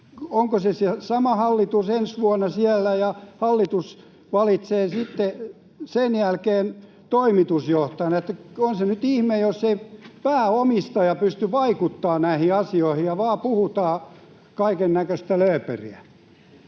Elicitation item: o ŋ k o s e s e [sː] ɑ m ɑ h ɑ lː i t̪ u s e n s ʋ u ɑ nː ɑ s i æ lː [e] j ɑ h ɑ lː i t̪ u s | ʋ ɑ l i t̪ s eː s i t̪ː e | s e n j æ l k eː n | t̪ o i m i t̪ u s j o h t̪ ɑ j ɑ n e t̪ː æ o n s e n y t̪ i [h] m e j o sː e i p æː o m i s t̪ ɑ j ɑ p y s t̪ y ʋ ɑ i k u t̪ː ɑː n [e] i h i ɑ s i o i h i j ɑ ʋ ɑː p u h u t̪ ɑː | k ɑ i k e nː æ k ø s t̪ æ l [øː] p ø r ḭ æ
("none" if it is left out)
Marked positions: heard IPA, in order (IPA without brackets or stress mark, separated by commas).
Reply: s, æ, h, æ, øː